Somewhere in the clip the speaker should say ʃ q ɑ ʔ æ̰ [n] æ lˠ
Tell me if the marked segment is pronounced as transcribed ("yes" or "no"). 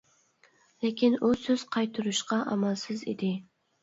no